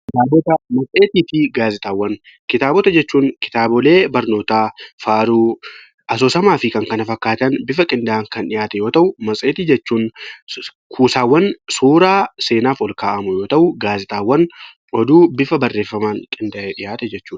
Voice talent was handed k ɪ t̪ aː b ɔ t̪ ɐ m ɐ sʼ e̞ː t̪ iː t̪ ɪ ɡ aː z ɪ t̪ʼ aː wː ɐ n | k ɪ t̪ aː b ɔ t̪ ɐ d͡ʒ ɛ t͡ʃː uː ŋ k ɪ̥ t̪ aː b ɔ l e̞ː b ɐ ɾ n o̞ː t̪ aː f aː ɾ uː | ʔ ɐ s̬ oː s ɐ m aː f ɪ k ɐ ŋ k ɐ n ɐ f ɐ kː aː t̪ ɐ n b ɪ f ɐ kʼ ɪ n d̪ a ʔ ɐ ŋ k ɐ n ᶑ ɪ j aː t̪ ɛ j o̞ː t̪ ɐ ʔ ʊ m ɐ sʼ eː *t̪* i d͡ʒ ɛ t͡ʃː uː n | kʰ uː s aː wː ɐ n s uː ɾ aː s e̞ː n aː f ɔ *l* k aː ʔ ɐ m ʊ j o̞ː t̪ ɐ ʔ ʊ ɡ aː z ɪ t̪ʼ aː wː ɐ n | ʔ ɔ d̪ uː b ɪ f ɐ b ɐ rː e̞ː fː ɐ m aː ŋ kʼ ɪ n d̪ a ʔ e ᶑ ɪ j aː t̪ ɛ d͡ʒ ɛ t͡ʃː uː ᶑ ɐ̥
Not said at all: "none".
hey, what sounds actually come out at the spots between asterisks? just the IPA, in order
t̪, l

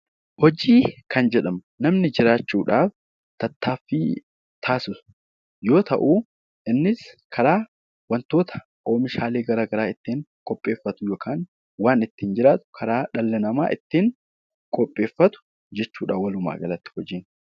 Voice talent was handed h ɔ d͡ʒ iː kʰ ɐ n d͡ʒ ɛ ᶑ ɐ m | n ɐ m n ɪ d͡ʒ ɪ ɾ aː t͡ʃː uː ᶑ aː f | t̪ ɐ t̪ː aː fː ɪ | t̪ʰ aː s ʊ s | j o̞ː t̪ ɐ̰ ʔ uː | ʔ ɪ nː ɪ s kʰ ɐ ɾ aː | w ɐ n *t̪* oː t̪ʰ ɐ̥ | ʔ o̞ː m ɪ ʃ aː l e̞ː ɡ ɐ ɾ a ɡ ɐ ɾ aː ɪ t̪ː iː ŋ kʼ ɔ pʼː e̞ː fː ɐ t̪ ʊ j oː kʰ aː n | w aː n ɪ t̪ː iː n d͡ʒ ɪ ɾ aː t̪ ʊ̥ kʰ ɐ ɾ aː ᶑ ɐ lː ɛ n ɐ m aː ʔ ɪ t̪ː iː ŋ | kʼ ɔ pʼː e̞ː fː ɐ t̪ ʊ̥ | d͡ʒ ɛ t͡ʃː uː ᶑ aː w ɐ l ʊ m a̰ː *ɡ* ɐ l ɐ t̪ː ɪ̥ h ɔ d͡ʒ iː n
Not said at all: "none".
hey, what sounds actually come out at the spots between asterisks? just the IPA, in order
t̪, ɡ

